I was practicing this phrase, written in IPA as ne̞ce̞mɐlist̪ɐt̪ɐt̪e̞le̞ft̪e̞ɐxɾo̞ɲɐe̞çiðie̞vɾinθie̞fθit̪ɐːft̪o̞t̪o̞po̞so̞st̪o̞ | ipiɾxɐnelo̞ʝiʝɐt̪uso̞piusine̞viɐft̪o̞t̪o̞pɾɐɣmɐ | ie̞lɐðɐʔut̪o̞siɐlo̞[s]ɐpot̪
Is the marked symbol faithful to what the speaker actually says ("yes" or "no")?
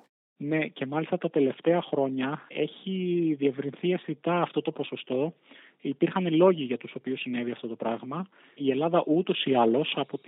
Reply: yes